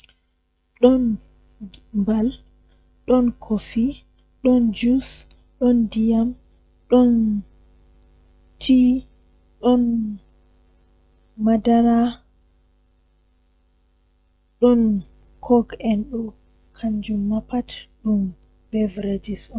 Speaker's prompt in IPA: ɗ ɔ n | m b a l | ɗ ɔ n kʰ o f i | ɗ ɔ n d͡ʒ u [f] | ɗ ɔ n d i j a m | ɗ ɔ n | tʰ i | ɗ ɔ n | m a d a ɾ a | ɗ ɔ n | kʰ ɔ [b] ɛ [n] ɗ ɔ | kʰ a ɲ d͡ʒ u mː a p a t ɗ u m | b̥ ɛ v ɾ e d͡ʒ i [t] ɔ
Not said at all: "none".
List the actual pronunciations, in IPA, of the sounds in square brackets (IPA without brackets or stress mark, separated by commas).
s, ɡ, n, s